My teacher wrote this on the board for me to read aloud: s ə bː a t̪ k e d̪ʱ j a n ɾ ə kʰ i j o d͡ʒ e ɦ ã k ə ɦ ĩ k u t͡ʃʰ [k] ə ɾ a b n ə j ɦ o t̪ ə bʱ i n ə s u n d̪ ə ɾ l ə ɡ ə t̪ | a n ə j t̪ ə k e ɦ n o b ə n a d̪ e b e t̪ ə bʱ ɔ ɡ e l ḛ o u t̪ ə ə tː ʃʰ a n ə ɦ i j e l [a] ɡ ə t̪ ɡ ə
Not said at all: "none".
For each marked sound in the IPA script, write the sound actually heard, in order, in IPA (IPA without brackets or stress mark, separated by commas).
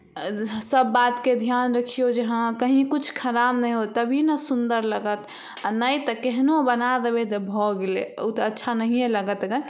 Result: kʰ, ə